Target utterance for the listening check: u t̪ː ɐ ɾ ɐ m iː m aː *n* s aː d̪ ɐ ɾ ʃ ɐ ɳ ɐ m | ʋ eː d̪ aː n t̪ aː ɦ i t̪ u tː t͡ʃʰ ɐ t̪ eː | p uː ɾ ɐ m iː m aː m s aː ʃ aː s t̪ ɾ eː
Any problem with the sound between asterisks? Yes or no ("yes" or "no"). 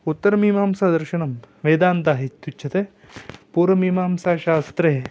yes